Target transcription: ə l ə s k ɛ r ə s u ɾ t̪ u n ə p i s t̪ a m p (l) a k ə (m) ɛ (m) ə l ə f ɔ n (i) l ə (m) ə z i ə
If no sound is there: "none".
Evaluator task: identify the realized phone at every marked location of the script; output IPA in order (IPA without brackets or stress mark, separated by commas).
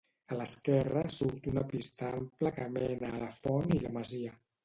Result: l, m, n, i, m